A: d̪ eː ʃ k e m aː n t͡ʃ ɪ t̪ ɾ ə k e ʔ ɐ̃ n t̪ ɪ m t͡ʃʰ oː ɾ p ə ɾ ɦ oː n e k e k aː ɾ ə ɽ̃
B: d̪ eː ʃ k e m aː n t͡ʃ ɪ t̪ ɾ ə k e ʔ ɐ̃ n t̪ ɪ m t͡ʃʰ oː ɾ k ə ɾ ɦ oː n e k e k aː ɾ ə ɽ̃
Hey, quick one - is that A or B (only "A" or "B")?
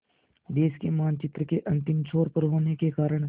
A